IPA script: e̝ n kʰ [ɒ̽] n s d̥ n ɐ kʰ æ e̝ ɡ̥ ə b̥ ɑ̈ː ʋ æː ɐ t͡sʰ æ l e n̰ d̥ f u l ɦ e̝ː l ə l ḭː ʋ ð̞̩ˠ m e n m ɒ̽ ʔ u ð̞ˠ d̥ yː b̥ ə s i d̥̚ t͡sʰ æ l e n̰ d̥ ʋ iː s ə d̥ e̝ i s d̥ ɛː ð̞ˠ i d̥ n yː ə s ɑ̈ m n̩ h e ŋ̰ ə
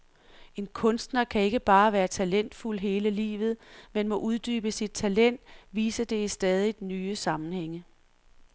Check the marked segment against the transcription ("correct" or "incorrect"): incorrect